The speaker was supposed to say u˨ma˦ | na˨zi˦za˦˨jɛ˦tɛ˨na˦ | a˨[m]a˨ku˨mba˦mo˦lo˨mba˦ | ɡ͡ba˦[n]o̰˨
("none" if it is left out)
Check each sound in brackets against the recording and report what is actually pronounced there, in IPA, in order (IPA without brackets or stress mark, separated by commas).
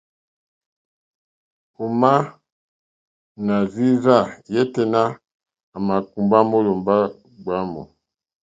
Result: m, m